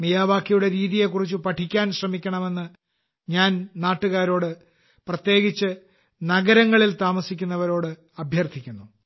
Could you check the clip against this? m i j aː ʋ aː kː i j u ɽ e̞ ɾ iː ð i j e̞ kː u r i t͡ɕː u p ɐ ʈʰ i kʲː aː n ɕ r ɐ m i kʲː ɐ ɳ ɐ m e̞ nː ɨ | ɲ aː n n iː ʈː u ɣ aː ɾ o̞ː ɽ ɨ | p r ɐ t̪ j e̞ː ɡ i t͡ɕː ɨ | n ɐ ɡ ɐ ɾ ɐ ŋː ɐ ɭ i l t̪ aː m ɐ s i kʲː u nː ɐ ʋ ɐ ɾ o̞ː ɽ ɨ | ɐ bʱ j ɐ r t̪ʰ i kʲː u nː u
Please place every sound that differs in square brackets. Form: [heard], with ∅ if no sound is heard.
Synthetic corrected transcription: m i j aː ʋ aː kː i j u ɽ e̞ ɾ iː ð i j e̞ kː u r i t͡ɕː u p ɐ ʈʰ i kʲː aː n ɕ r ɐ m i kʲː ɐ ɳ ɐ m e̞ nː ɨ | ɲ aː n n [aː] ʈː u ɣ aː ɾ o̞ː ɽ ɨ | p r ɐ t̪ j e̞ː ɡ i t͡ɕː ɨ | n ɐ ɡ ɐ ɾ ɐ ŋː ɐ ɭ i l t̪ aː m ɐ s i kʲː u nː ɐ ʋ ɐ ɾ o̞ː ɽ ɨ | ɐ bʱ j ɐ r t̪ʰ i kʲː u nː u

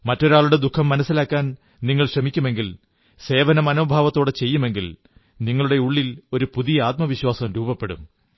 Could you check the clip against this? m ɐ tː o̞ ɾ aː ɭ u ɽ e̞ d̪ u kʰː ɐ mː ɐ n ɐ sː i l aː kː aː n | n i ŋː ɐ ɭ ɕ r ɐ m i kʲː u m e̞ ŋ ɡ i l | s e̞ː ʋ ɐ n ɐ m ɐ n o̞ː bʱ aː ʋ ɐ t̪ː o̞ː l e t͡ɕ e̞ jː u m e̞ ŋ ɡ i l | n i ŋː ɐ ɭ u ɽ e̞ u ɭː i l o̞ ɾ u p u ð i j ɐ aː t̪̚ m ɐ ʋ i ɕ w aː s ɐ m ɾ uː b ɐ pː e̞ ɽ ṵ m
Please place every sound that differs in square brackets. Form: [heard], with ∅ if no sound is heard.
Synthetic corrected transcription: m ɐ tː o̞ ɾ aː ɭ u ɽ e̞ d̪ u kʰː ɐ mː ɐ n ɐ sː i l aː kː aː n | n i ŋː ɐ ɭ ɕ r ɐ m i kʲː u m e̞ ŋ ɡ i l | s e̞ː ʋ ɐ n ɐ m ɐ n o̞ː bʱ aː ʋ ɐ t̪ː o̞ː [ɽ] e t͡ɕ e̞ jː u m e̞ ŋ ɡ i l | n i ŋː ɐ ɭ u ɽ e̞ u ɭː i l o̞ ɾ u p u ð i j ɐ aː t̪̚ m ɐ ʋ i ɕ w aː s ɐ m ɾ uː b ɐ pː e̞ ɽ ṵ m

